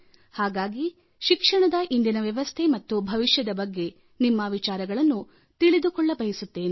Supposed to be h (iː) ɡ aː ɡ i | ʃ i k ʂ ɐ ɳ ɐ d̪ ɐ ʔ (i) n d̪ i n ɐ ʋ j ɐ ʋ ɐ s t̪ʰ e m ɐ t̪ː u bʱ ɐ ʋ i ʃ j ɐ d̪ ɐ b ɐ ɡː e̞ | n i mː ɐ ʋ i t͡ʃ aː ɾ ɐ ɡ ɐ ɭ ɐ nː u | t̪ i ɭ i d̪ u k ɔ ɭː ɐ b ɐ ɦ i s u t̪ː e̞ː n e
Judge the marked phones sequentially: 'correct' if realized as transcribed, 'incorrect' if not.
incorrect: aː, correct

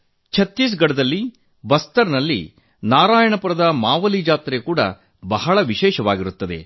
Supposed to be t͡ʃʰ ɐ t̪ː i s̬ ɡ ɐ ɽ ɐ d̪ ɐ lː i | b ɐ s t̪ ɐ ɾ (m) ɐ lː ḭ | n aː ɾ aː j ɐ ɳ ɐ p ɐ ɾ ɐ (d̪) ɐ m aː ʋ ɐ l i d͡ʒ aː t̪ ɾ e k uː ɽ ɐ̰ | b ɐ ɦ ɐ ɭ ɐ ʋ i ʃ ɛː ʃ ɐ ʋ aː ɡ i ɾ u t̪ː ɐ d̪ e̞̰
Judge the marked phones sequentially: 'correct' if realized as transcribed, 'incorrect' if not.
incorrect: n, correct

